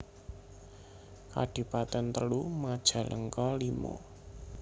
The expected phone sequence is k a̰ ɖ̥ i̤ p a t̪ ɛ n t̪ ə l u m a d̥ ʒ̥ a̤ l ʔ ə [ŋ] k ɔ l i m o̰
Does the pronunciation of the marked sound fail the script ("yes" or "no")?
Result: no